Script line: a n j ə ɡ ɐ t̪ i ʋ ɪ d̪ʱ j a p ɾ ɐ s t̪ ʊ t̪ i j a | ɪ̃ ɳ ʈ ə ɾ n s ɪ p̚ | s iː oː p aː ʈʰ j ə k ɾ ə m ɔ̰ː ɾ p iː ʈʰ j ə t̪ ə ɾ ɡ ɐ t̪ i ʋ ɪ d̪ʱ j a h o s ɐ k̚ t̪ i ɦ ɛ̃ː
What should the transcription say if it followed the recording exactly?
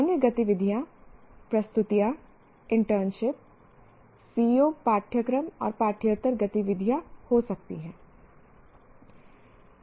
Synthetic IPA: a n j ə ɡ ɐ t̪ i ʋ ɪ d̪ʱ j a p ɾ ɐ s t̪ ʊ t̪ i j a | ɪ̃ ɳ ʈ ə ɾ n ʃ ɪ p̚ | s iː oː p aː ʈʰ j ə k ɾ ə m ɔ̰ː ɾ p aː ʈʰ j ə t̪ ə ɾ ɡ ɐ t̪ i ʋ ɪ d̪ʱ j a h o s ɐ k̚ t̪ i ɦ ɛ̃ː